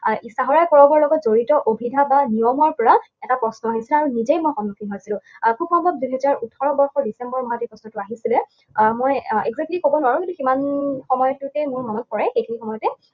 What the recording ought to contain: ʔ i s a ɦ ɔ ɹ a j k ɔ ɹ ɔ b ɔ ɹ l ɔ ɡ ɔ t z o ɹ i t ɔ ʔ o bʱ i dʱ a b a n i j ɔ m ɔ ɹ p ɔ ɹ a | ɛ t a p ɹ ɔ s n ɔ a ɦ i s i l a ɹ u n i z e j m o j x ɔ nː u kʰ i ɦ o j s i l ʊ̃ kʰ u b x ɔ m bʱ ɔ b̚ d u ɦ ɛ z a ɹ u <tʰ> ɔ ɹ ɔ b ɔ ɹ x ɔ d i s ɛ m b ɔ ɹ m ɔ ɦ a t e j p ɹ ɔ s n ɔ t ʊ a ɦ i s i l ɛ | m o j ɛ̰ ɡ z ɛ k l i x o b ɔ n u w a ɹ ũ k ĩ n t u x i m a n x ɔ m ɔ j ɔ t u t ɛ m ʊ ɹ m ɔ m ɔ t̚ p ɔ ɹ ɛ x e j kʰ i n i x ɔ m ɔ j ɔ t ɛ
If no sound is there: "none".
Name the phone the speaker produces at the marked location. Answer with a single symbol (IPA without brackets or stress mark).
tʰ